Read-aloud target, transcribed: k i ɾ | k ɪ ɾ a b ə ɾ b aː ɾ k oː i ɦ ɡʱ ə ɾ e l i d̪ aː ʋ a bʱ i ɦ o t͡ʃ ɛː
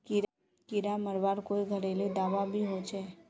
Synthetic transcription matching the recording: k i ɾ | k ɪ ɾ a m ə ɾ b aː ɾ k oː i ɡʱ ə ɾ e l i d̪ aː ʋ a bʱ i ɦ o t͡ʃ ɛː